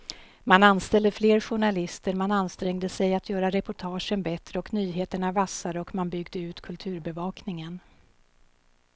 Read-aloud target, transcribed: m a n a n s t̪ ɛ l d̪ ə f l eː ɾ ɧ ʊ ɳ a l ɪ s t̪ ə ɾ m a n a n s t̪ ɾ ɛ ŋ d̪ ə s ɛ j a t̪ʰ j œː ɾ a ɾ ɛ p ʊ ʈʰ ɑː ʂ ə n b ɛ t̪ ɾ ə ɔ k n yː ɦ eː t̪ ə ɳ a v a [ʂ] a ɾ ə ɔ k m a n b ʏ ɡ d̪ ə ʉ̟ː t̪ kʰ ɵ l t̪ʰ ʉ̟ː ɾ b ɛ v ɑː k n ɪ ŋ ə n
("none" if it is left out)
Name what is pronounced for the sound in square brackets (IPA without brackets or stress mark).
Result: s